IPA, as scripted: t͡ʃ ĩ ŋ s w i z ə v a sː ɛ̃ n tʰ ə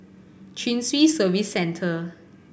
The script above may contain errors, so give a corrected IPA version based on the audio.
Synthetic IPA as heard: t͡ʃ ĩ n s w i s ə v i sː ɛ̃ n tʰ ə